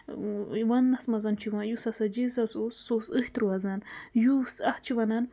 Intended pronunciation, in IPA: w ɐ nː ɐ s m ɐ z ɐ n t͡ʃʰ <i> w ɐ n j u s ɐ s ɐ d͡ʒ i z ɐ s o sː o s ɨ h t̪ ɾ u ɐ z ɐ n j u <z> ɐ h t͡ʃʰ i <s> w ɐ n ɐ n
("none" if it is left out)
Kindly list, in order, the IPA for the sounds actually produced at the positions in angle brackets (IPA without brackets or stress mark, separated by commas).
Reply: i, s, none